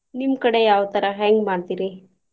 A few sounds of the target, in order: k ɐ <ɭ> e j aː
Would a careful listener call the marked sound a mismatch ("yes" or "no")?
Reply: yes